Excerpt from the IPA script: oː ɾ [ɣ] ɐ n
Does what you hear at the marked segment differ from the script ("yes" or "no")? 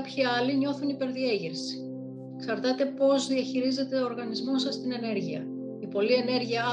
no